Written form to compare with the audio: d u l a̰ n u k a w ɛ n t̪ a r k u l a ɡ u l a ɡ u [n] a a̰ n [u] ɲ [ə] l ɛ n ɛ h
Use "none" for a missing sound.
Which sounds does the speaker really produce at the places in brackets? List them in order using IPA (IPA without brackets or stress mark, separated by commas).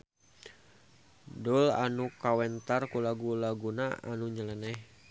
n, u, ə